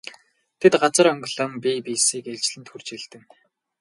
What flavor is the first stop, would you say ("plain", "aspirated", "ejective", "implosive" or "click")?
aspirated